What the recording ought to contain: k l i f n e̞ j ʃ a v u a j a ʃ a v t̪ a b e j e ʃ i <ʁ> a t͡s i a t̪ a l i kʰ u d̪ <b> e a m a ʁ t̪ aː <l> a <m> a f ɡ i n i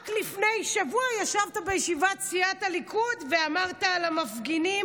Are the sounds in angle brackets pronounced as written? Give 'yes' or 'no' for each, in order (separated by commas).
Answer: no, no, yes, yes